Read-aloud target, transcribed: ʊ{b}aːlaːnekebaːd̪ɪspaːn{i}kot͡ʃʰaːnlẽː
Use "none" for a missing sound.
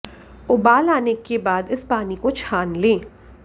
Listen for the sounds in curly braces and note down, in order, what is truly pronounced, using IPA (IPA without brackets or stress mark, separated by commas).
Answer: b, i